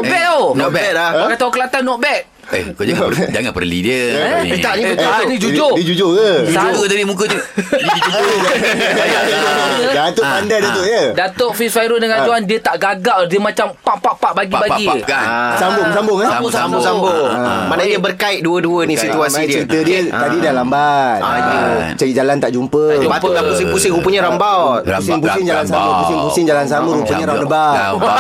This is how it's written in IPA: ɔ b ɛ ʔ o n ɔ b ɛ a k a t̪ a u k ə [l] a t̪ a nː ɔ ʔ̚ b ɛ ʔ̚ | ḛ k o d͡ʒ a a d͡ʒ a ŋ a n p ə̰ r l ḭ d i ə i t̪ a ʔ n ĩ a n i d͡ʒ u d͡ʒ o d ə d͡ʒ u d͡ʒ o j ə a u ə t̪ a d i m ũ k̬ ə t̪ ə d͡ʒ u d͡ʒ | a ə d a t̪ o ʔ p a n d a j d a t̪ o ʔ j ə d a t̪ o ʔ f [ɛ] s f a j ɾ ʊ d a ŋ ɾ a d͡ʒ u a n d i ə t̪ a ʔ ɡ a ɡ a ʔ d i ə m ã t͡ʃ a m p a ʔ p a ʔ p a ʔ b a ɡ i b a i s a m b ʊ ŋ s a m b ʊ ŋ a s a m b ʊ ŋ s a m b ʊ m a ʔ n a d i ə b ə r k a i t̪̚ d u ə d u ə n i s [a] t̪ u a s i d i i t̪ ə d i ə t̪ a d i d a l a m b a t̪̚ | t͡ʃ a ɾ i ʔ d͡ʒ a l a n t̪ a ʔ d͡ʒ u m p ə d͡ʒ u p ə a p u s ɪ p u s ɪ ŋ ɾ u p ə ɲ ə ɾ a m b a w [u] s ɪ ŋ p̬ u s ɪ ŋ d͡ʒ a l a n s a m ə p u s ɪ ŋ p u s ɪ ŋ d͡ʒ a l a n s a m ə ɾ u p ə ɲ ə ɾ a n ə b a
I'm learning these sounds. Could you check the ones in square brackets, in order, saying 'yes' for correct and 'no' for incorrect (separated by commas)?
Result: yes, no, no, yes